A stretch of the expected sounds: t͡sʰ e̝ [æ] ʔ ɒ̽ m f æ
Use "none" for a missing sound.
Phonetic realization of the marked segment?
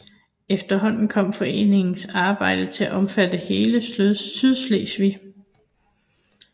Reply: æ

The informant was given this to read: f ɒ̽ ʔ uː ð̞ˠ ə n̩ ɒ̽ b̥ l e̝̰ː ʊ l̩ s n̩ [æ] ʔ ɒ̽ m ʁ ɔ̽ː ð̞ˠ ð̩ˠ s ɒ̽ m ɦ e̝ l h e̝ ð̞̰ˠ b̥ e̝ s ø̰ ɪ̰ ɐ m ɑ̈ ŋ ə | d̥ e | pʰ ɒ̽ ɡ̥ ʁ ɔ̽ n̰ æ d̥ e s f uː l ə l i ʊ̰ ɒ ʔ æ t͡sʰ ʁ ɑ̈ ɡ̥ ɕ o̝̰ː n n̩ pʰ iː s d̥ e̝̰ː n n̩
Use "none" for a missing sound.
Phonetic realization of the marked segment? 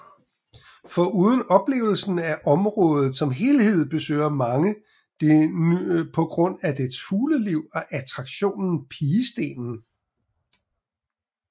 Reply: æ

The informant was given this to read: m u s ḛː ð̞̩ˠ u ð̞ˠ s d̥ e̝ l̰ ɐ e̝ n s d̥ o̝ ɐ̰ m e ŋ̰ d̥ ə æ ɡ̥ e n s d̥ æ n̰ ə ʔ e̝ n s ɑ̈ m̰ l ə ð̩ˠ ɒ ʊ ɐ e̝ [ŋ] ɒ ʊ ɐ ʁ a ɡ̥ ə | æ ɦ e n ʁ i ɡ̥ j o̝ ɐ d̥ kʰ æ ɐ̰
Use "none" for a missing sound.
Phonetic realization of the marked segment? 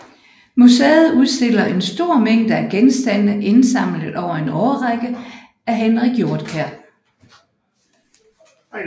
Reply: n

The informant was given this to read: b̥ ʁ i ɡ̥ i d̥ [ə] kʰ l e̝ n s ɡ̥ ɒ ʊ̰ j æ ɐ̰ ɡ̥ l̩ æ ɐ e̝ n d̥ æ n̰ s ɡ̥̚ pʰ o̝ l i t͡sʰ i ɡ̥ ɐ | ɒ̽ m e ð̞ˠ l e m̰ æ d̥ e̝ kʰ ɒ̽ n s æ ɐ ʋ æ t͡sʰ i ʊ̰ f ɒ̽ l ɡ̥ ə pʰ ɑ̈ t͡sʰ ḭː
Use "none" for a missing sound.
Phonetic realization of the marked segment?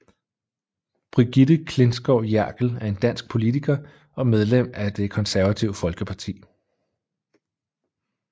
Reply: ə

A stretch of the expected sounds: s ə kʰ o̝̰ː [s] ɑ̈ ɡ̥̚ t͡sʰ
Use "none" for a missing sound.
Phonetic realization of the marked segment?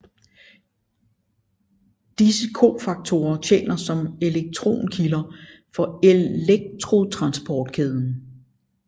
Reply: f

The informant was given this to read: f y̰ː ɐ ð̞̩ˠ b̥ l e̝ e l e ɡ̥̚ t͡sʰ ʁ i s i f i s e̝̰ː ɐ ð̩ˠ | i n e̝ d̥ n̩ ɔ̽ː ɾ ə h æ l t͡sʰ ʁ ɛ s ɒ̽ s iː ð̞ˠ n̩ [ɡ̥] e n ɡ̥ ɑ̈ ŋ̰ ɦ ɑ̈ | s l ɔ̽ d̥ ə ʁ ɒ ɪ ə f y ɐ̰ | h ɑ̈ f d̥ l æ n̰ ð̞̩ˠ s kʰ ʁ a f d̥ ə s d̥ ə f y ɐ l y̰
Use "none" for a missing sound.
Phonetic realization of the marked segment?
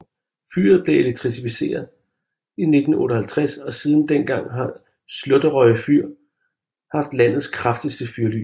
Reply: d̥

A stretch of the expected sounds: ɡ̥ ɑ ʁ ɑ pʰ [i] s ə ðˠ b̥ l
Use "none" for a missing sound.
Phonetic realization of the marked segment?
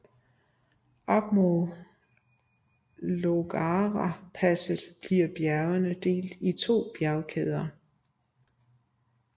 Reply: æ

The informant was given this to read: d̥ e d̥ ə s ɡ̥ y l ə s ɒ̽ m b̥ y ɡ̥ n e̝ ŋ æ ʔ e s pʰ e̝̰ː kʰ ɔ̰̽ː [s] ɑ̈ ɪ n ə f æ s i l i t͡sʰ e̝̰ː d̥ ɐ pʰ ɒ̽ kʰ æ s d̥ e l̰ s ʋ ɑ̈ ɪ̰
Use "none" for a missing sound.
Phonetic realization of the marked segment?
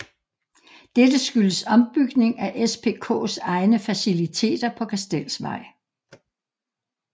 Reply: s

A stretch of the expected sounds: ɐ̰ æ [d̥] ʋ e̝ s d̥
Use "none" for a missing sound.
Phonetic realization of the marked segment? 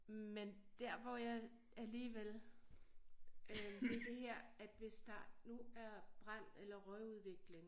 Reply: d̥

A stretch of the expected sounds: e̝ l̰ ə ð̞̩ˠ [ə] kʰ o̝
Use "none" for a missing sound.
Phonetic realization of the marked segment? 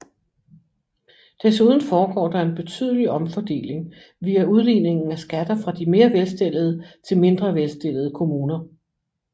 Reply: ə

